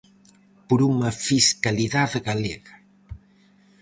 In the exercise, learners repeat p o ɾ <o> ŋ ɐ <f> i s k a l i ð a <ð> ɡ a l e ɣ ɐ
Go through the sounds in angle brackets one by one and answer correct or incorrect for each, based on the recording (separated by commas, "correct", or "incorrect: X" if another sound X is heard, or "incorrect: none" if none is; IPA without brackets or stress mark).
incorrect: u, correct, correct